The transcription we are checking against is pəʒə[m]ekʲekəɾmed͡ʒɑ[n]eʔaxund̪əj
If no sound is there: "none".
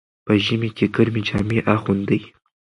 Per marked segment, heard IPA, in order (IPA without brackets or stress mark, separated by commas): m, m